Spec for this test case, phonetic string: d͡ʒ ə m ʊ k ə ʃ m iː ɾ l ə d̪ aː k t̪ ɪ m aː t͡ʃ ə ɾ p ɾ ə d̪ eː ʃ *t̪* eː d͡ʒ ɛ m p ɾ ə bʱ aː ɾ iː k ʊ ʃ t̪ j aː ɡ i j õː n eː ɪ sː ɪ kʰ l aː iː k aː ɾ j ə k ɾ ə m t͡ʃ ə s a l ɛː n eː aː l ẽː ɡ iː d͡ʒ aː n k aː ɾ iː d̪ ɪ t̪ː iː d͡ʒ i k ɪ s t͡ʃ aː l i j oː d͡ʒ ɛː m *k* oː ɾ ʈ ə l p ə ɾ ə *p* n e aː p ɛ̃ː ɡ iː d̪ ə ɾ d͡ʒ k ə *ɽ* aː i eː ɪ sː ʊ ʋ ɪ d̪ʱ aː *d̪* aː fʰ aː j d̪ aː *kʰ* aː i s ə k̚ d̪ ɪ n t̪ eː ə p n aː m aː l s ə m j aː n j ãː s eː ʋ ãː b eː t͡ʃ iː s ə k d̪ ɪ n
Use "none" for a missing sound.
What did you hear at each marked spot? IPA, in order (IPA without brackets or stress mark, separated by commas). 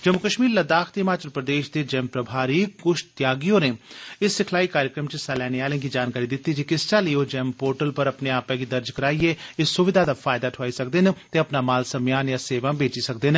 d̪, p, p, ɾ, d̪, ʈʰ